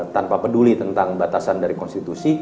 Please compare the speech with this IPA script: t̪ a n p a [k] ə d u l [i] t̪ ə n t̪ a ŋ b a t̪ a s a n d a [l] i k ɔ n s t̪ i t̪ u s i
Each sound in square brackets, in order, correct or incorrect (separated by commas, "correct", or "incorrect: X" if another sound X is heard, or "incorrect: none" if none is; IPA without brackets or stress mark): incorrect: p, correct, incorrect: ɾ